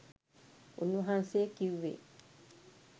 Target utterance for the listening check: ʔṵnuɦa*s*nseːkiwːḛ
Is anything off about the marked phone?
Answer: yes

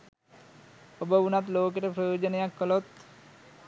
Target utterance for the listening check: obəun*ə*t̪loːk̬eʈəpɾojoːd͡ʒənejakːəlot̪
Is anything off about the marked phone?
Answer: yes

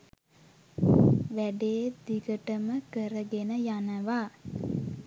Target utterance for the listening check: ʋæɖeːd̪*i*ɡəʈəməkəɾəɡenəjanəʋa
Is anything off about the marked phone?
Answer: no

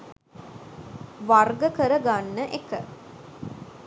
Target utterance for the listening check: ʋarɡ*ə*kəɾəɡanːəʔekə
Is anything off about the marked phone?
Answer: no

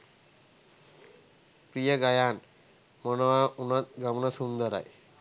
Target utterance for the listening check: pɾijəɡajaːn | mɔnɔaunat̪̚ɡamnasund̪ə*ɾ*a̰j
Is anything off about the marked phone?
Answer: no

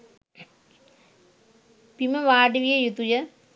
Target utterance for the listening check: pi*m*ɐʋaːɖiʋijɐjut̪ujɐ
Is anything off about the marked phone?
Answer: no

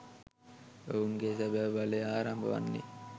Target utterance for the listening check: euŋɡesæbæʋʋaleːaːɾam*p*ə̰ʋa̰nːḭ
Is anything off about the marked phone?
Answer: yes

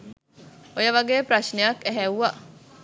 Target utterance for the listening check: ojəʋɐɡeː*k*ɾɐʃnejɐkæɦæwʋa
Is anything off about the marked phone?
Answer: yes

